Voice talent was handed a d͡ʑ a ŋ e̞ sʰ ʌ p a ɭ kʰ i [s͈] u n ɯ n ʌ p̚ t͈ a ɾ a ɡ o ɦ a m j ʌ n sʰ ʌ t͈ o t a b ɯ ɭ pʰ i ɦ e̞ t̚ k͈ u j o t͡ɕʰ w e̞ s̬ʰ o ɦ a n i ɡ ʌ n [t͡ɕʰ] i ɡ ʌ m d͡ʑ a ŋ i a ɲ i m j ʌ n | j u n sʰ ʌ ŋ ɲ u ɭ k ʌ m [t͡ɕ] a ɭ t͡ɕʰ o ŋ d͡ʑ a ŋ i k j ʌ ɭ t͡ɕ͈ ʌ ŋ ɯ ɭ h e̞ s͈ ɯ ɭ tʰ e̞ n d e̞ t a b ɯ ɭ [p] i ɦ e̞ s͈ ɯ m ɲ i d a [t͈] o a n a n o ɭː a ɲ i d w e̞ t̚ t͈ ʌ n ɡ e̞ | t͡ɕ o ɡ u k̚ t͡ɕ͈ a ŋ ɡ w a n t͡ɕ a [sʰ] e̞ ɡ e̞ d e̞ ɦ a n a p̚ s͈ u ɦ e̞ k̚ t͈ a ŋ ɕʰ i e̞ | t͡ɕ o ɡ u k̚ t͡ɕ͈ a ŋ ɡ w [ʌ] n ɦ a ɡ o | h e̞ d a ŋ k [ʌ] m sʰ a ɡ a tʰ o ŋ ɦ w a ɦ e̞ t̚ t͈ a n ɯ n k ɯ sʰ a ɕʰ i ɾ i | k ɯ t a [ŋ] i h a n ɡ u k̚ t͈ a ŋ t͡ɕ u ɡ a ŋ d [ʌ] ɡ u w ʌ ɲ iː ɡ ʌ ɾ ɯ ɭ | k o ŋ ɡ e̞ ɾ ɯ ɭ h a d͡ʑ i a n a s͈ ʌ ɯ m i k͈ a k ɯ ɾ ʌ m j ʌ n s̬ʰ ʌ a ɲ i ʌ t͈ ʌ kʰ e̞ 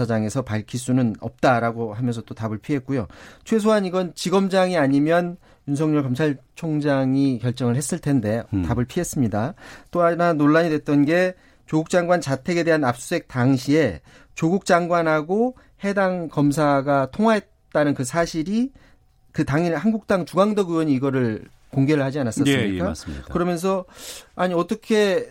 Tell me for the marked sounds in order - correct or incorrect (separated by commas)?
correct, incorrect, incorrect, incorrect, correct, incorrect, incorrect, correct, correct, correct